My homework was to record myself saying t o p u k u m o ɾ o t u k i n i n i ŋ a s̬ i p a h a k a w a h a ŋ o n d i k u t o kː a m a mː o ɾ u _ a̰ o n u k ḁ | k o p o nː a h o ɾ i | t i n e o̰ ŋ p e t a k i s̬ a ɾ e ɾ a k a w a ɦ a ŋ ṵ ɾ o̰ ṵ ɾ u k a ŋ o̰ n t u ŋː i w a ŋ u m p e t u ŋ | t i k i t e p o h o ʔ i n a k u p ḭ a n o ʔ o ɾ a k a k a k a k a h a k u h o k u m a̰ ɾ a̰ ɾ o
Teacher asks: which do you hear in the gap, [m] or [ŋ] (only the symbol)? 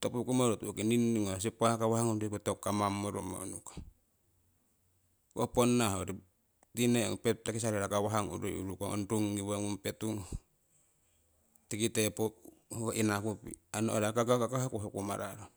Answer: m